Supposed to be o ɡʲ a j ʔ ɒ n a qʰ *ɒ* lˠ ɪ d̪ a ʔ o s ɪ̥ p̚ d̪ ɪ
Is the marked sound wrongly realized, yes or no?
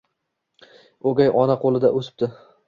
yes